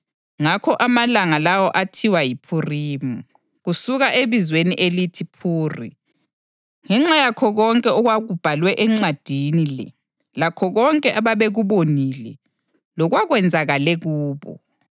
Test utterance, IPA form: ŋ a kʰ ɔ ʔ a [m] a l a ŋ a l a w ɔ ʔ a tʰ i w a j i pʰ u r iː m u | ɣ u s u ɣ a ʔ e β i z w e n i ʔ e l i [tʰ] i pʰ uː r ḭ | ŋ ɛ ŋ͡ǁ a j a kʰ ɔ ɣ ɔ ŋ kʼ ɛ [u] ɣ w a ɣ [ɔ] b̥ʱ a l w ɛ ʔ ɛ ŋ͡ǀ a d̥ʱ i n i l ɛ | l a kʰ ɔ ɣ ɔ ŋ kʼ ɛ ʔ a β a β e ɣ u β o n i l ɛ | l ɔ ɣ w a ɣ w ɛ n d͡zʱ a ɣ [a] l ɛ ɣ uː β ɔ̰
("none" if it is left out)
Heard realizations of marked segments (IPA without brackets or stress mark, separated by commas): m, tʰ, ɔ, u, a